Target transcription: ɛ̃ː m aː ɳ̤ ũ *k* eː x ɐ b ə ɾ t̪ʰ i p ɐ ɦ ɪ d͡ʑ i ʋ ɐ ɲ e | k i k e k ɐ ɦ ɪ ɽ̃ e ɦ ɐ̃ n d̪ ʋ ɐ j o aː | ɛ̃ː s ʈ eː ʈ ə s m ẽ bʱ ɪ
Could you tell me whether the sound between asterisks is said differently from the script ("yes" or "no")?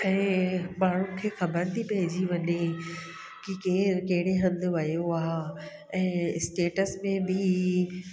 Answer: yes